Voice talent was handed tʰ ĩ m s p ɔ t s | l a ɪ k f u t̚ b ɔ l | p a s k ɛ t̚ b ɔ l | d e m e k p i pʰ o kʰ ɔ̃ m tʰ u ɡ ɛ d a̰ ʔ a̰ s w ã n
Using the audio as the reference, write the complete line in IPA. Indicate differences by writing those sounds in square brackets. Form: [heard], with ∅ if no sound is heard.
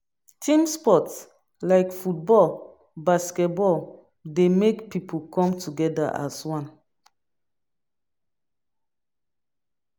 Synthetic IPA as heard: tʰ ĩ m s p ɔ t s | l a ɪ k f u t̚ b ɔ l | [b] a s k ɛ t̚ b ɔ l | d e m e k p i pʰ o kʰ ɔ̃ m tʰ u ɡ ɛ d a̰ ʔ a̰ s w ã n